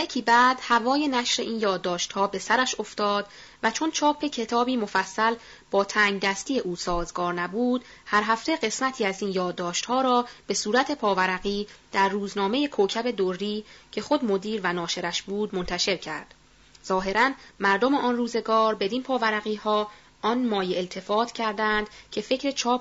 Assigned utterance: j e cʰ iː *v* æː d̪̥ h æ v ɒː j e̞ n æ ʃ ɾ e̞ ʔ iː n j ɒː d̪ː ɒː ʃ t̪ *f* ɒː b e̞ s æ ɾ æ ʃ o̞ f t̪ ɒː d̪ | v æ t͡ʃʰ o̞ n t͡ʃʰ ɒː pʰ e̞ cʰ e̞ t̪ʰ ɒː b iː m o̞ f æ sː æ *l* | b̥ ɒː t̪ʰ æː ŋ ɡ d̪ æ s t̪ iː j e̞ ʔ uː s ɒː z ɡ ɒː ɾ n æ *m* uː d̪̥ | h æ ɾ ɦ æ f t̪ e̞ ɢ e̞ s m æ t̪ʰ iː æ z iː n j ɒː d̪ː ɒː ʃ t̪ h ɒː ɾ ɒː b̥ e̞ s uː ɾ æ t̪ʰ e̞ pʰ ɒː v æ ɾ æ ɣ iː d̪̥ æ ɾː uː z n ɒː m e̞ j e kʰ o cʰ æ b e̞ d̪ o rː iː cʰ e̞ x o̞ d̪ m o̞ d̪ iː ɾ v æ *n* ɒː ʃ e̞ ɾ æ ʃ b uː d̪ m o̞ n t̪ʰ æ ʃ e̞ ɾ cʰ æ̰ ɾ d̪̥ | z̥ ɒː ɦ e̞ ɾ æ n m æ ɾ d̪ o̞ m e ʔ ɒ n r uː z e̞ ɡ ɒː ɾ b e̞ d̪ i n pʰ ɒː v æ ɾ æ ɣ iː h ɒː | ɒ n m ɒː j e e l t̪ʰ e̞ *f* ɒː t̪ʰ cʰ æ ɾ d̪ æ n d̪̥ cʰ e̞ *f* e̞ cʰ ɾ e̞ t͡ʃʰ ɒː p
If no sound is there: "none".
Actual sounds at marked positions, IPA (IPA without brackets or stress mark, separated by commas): b, h, l, b, n, f, f